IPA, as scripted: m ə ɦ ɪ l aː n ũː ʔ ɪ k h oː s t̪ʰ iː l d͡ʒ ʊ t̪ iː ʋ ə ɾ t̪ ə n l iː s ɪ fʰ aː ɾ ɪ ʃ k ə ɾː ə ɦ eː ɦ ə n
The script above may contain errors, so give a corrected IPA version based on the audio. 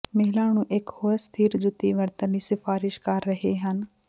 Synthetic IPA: m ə ɦ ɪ l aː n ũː ʔ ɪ k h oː s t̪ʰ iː ɾ d͡ʒ ʊ t̪ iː ʋ ə ɾ t̪ ə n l iː s ɪ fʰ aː ɾ ɪ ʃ k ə ɾː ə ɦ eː ɦ ə n

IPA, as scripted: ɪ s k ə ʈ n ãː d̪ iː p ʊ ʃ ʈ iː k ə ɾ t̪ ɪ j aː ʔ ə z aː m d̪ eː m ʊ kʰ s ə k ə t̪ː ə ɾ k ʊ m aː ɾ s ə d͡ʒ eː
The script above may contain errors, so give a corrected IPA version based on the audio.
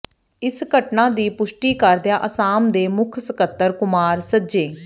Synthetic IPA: ɪ s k ə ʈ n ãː d̪ iː p ʊ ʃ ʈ iː k ə ɾ d̪ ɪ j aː ʔ ə s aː m d̪ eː m ʊ kʰ s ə k ə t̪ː ə ɾ k ʊ m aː ɾ s ə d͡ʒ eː

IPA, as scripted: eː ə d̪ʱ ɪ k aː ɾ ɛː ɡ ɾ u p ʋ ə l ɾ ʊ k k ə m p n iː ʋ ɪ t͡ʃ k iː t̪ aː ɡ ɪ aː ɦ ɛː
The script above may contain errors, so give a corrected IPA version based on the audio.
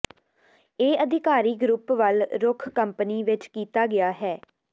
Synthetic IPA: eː ə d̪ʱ ɪ k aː ɾ iː ɡ ɾ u p ʋ ə l ɾ ʊ kʰ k ə m p n iː ʋ ɪ t͡ʃ k iː t̪ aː ɡ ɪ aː ɦ ɛː

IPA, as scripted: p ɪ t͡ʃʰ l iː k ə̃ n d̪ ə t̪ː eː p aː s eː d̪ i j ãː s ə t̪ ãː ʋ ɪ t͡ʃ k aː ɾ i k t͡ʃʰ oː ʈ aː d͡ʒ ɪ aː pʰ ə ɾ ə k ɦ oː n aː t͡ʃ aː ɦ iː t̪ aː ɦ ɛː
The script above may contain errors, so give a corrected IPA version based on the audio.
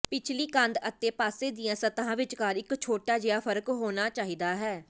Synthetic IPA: p ɪ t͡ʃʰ l iː k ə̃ n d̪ ə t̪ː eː p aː s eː d̪ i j ãː s ə t̪ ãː ʋ ɪ t͡ʃ k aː ɾ ɪ k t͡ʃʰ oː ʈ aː d͡ʒ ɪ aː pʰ ə ɾ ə k ɦ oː n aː t͡ʃ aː ɦ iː d̪ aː ɦ ɛː

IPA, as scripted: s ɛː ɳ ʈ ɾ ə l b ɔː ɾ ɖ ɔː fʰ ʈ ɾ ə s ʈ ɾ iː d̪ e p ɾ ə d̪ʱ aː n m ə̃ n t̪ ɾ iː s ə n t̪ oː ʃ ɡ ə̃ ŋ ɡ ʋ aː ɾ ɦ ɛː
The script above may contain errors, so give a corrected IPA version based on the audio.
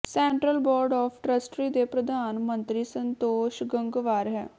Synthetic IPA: s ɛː ɳ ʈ ɾ ə l b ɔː ɾ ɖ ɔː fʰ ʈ ɾ ə s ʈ ɾ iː d̪ e p ɾ ə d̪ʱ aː n m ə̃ n t̪ ɾ iː s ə n t̪ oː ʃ ɡ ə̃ ŋ ɡ ʋ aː ɾ ɦ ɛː

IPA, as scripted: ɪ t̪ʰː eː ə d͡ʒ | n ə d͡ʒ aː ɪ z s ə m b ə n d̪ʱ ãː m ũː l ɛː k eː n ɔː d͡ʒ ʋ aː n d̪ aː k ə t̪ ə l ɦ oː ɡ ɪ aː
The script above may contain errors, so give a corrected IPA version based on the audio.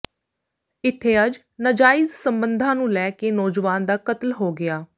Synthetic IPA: ɪ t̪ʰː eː ə d͡ʒ | n ə d͡ʒ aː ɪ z s ə m b ə n d̪ʱ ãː n ũː l ɛː k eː n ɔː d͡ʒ ʋ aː n d̪ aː k ə t̪ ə l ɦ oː ɡ ɪ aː

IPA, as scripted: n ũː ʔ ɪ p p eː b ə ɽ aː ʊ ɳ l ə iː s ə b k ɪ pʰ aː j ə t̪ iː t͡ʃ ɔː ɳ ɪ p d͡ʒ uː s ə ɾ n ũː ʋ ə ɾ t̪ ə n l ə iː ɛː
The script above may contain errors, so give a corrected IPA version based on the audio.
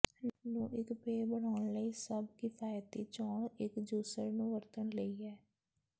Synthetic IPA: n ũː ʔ ɪ k p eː b ə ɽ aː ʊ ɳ l ə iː s ə b k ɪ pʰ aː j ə t̪ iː t͡ʃ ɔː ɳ ɪ k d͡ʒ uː s ə ɾ n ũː ʋ ə ɾ t̪ ə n l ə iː ɛː

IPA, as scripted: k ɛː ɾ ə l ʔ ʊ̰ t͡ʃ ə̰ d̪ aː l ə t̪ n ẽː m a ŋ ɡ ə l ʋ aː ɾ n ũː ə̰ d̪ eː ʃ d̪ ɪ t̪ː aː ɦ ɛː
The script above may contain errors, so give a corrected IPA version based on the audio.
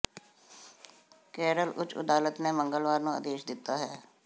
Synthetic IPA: k ɛː ɾ ə l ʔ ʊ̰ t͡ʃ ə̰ d̪ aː l ə t̪ n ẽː m ə ŋ ɡ ə l ʋ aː ɾ n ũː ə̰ d̪ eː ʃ d̪ ɪ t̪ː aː ɦ ɛː

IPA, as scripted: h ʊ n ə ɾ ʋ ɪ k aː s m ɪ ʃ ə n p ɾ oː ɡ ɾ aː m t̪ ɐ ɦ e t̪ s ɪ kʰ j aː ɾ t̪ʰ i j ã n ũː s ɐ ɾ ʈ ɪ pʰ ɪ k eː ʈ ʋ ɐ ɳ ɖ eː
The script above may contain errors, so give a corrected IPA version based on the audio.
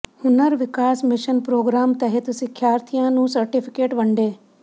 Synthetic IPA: h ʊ n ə ɾ ʋ ɪ k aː s m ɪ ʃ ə n p ɾ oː ɡ ɾ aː m t̪ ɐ ɦ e t̪ s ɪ kʰ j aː ɾ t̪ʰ i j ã n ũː s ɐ ɾ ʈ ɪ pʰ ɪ k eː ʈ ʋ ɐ ɳ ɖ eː

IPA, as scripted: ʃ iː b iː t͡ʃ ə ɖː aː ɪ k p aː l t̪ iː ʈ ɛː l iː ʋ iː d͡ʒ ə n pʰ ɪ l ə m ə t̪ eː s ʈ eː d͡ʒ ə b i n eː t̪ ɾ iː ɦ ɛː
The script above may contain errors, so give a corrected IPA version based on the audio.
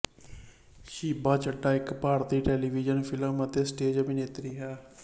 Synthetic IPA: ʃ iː b aː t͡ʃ ə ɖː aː ɪ k p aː ɾ t̪ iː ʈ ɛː l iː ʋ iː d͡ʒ ə n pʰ ɪ l ə m ə t̪ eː s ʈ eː d͡ʒ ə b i n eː t̪ ɾ iː ɦ ɛː

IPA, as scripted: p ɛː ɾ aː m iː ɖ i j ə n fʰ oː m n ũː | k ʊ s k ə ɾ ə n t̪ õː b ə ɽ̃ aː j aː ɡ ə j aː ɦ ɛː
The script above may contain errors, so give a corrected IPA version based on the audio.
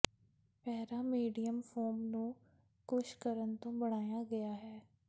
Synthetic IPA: p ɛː ɾ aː m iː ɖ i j ə m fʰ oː m n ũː | k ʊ ʃ k ə ɾ ə n t̪ õː b ə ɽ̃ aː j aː ɡ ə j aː ɦ ɛː

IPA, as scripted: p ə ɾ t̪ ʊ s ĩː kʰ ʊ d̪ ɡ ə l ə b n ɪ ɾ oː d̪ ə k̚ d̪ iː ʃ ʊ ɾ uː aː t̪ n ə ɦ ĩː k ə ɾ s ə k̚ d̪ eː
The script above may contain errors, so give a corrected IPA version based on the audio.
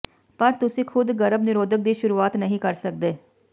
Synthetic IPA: p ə ɾ t̪ ʊ s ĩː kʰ ʊ d̪ ɡ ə ɾ ə b n ɪ ɾ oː d̪ ə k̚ d̪ iː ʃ ʊ ɾ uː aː t̪ n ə ɦ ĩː k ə ɾ s ə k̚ d̪ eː

